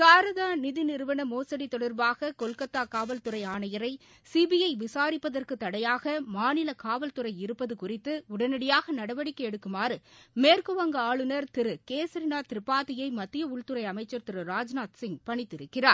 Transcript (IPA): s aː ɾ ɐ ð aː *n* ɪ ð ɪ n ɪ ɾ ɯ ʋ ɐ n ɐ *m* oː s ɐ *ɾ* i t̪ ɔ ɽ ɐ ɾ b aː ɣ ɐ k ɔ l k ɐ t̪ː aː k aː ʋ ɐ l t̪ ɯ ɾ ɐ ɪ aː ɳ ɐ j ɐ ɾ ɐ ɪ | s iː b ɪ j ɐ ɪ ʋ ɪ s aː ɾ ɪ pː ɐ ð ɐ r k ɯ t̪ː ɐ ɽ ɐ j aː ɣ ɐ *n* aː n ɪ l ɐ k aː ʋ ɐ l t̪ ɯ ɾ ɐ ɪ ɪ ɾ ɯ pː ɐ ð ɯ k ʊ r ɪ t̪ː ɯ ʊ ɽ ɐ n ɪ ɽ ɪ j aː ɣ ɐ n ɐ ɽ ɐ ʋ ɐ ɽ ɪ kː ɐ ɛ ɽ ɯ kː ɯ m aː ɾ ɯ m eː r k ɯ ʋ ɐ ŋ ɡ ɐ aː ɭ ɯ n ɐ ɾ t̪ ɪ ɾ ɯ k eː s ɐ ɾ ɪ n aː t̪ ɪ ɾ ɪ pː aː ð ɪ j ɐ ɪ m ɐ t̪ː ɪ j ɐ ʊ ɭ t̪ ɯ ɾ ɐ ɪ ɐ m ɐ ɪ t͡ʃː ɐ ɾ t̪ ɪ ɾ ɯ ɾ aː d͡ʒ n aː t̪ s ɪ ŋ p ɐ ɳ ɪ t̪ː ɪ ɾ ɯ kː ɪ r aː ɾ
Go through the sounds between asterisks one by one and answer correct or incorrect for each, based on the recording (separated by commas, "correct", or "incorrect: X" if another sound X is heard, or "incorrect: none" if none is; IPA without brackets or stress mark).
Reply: correct, correct, incorrect: ɽ, incorrect: m